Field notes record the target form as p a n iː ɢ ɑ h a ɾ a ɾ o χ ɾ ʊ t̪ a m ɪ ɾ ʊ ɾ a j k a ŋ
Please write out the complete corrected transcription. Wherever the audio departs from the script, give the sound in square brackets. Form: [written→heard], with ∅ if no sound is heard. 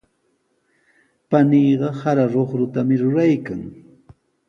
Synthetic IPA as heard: p a n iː ɢ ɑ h a ɾ a ɾ o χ ɾ ʊ t̪ a m ɪ ɾ ʊ ɾ a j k a ŋ

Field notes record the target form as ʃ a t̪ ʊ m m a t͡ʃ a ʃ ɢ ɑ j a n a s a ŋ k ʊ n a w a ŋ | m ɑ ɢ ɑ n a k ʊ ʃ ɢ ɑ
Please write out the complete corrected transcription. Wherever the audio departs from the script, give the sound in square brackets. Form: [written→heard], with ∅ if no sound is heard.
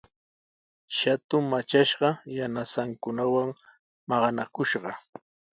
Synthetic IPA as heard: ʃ a t̪ ʊ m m a t͡ʃ a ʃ ɢ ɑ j a n a s a ŋ k ʊ n a w a ŋ | m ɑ ɢ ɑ n a k ʊ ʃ ɢ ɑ

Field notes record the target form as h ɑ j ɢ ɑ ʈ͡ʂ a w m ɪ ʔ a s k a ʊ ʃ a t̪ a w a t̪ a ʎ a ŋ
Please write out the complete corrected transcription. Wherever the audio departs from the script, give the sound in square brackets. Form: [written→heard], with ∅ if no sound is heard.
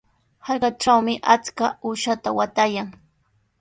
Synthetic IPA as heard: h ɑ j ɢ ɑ ʈ͡ʂ a w m ɪ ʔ a [s→t͡s] k a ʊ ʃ a t̪ a w a t̪ a [ʎ→j] a ŋ

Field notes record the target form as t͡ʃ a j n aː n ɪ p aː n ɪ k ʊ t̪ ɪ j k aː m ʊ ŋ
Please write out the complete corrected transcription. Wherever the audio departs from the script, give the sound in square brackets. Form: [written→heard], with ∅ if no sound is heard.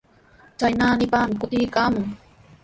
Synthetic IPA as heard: t͡ʃ a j n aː n ɪ p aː [n→m] ɪ k ʊ t̪ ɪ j k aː m ʊ ŋ

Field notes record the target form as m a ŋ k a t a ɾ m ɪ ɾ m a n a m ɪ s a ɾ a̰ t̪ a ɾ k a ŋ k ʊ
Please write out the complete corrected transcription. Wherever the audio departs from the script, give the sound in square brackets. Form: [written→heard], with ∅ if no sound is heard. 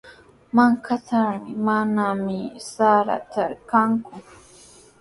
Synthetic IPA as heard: m a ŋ k a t a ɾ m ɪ [ɾ→∅] m a n a m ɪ s a ɾ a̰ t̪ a ɾ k a ŋ k ʊ

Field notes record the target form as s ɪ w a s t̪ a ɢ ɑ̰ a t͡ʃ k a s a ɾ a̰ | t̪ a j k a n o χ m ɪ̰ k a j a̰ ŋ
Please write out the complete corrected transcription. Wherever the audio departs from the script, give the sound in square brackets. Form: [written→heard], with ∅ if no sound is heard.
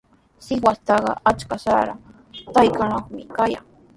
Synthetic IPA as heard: s ɪ w a s t̪ [a→ɑ] ɢ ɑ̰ a t͡ʃ k a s a ɾ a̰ | t̪ a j k a n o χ m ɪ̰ k a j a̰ ŋ

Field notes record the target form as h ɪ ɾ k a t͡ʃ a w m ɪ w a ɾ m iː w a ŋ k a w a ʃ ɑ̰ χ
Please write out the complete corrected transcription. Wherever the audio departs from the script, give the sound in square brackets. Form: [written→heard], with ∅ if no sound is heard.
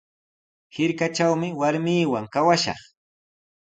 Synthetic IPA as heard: h ɪ ɾ k a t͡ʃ a w m ɪ w a ɾ m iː w a ŋ k a w a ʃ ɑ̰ χ

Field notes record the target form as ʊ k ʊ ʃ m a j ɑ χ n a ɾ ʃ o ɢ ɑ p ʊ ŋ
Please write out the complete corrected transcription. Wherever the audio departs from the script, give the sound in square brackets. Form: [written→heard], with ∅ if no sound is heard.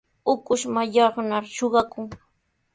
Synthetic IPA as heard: ʊ k ʊ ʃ m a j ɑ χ n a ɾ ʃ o ɢ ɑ [p→k] ʊ ŋ

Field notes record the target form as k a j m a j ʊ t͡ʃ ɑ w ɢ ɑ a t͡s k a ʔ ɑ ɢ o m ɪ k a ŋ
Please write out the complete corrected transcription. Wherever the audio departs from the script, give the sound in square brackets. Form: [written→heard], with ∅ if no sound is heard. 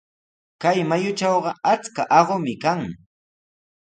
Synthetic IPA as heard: k a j m a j ʊ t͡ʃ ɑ w ɢ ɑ a t͡s k a ʔ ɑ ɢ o m ɪ k a ŋ

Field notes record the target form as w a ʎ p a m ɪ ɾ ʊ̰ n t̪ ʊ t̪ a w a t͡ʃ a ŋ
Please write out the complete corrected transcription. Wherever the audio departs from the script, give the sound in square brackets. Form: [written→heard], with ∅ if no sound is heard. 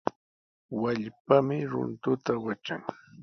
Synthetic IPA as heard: w a ʎ p a m ɪ ɾ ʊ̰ n t̪ ʊ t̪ a w a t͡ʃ a ŋ

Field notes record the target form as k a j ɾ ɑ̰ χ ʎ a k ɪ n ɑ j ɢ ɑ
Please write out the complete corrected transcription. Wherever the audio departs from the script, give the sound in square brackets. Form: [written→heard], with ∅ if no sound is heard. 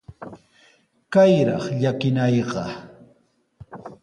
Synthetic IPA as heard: k a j ɾ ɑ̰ χ ʎ a k ɪ n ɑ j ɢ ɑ

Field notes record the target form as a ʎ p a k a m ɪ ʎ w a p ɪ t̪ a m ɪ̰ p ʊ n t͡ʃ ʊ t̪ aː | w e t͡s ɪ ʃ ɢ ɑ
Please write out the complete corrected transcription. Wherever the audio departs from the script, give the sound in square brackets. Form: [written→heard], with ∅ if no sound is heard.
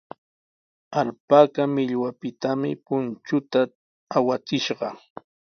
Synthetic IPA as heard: a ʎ p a k a m ɪ ʎ w a p ɪ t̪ a m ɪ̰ p ʊ n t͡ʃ ʊ t̪ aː | w [e→a] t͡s ɪ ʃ ɢ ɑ

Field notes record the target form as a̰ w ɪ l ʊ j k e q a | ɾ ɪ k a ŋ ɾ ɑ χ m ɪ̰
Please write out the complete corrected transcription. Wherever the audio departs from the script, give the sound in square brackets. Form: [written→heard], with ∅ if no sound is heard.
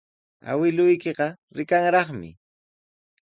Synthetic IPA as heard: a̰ w ɪ l ʊ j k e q [a→ɑ] | ɾ ɪ k a ŋ ɾ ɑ χ m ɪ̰

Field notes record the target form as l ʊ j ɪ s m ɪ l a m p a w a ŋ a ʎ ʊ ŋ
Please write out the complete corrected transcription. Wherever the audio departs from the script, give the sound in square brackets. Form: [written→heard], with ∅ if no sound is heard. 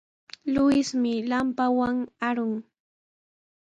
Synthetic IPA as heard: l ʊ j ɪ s m ɪ l a m p a w a ŋ a [ʎ→ɾ] ʊ ŋ

